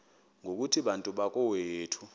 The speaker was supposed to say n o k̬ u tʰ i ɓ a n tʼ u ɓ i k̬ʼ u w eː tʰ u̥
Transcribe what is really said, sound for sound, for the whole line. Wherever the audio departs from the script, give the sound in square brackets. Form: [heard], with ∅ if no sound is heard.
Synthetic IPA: [ŋ] o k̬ u tʰ i ɓ a n tʼ u ɓ [a] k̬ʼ [ɔ] w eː tʰ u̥